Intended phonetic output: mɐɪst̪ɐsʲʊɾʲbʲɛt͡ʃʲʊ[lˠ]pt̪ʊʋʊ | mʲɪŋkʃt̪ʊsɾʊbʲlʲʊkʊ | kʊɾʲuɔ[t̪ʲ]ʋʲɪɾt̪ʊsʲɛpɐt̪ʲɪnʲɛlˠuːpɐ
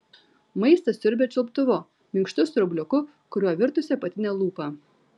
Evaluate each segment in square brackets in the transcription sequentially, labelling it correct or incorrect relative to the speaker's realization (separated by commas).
correct, incorrect